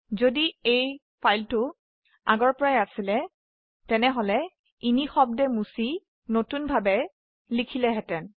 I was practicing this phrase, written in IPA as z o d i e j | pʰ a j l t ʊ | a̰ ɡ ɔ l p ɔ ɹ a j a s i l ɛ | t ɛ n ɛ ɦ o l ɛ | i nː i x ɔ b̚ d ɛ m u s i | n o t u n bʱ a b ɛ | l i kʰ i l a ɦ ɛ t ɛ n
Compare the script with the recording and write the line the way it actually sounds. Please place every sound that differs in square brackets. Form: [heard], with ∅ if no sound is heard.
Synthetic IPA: z o d i e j | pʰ a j l t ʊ | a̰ ɡ ɔ [ɹ] p ɔ ɹ a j a s i l ɛ | t ɛ n ɛ ɦ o l ɛ | i [n] i x ɔ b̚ d ɛ m u s i | n o t u n bʱ a b ɛ | l i kʰ i l [ɛ] ɦ ɛ t ɛ n